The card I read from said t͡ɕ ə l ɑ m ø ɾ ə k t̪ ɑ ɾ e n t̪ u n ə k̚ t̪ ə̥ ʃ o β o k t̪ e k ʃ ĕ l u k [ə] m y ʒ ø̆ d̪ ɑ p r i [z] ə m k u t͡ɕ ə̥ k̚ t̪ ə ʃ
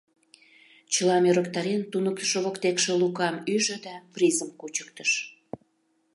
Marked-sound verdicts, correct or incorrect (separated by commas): incorrect, correct